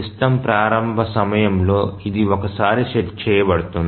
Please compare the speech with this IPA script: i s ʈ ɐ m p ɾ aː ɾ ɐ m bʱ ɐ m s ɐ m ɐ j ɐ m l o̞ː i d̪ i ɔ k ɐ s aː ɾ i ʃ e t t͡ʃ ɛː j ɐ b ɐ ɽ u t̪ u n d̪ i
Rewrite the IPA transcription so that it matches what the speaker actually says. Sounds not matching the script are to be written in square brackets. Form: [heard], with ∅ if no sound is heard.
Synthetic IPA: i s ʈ ɐ m p ɾ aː ɾ ɐ m bʱ ɐ [∅] s ɐ m ɐ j ɐ m l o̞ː i d̪ i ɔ k ɐ s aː ɾ i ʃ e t t͡ʃ ɛː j ɐ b ɐ ɽ u t̪ u n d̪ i

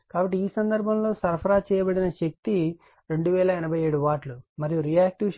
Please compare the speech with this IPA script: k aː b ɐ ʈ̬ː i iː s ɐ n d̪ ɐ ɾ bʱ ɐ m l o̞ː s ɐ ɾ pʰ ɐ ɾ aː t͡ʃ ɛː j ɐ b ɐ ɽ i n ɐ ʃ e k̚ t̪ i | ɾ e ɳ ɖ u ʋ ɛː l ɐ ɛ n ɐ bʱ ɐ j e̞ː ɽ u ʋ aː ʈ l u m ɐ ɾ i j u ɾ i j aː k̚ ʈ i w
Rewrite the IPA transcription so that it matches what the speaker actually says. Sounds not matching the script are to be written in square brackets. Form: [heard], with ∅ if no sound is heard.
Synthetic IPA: k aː b ɐ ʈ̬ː i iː s ɐ n d̪ ɐ ɾ bʱ ɐ m l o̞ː s ɐ ɾ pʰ ɐ ɾ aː t͡ʃ ɛː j ɐ b ɐ ɽ i n ɐ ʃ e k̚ t̪ i | ɾ e ɳ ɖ u ʋ ɛː l ɐ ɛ n ɐ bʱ ɐ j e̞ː ɽ u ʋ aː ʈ l u m ɐ ɾ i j u ɾ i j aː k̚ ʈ i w

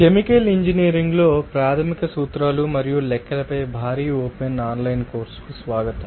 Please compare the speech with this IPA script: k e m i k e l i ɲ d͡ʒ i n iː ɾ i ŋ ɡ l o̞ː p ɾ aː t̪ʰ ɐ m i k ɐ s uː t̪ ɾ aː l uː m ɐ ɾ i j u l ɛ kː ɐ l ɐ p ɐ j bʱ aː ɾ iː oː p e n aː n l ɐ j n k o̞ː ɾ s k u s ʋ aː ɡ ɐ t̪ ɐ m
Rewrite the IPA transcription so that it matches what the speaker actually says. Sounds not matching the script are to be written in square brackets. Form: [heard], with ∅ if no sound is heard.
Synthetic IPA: k e m i k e l i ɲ d͡ʒ i n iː ɾ i ŋ ɡ l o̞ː p ɾ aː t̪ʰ ɐ m i k ɐ s uː t̪ ɾ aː l [u] m ɐ ɾ i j u l ɛ kː ɐ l ɐ p ɐ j bʱ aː ɾ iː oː p e n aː n l ɐ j n k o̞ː ɾ s k u s ʋ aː ɡ ɐ t̪ ɐ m

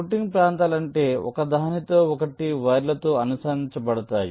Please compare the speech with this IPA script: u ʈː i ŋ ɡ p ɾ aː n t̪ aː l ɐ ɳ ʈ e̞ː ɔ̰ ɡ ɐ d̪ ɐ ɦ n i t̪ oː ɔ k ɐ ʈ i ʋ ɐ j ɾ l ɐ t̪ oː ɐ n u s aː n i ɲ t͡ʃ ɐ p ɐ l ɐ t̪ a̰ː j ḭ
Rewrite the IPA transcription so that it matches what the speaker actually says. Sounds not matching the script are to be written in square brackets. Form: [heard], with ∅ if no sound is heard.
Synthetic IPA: u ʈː i ŋ ɡ p ɾ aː n t̪ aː l ɐ ɳ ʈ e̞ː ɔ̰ [k] ɐ d̪ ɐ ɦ n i t̪ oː ɔ k ɐ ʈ i ʋ ɐ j ɾ l ɐ t̪ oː ɐ n u s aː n i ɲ t͡ʃ ɐ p ɐ [ɽ] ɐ t̪ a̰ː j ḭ

